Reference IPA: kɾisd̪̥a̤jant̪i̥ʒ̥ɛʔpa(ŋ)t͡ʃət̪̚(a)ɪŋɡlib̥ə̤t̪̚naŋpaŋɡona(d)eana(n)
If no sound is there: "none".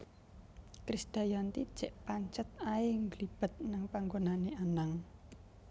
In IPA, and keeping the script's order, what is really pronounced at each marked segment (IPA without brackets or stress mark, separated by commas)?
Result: ɲ, a, n, ŋ